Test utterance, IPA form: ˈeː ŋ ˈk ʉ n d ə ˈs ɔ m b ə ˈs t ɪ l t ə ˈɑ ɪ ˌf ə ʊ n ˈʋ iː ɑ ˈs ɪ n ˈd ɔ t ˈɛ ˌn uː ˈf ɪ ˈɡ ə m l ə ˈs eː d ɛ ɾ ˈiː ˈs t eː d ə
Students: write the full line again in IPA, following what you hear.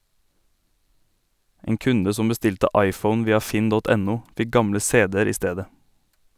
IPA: ˈeː ŋ ˈk ʉ n d ə ˈs ɔ m b ə ˈs t ɪ l t ə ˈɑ ɪ ˌf ə ʊ n ˈʋ iː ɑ ˈf ɪ n ˈd ɔ t ˈɛ ˌn uː ˈf ɪ ˈɡ ɑ m l ə ˈs eː d ɛ ɾ ˈiː ˈs t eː d ə